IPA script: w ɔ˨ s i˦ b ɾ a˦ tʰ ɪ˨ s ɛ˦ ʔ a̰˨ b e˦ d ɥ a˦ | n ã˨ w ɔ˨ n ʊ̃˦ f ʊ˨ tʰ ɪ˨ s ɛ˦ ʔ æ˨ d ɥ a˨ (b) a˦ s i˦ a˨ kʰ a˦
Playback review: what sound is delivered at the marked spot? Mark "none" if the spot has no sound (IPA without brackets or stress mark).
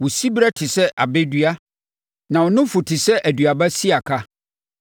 b